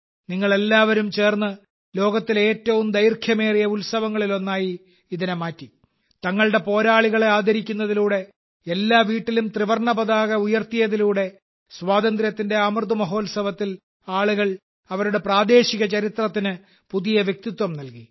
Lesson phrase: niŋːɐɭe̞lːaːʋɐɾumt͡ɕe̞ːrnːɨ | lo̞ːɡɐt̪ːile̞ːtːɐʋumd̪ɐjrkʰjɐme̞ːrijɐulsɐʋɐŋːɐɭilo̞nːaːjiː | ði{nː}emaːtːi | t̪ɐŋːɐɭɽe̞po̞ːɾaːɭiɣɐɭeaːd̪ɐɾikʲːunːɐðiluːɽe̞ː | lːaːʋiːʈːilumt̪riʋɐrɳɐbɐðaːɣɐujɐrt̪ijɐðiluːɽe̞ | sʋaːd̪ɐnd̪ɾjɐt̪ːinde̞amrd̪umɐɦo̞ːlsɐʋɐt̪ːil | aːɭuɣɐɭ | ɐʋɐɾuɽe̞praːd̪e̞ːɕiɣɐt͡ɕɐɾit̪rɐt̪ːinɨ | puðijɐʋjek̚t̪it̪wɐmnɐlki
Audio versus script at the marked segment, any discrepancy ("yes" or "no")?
yes